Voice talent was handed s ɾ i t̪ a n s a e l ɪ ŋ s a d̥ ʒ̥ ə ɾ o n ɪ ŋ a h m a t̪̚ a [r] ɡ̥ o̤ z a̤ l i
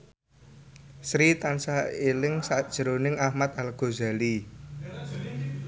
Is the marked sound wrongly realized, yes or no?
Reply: yes